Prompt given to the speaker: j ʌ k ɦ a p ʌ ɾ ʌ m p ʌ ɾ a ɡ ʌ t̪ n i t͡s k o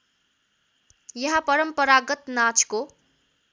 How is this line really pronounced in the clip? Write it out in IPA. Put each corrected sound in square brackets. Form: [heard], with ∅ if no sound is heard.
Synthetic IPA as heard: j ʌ [∅] ɦ a p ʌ ɾ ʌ m p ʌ ɾ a ɡ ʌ t̪ n [a] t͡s k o